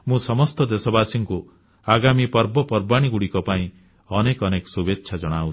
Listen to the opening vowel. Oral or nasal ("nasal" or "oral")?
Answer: nasal